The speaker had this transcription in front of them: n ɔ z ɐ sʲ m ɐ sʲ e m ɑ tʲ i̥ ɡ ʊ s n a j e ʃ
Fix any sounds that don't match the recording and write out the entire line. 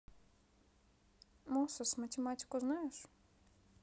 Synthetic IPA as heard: m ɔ s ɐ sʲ m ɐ tʲ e m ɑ tʲ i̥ k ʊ z n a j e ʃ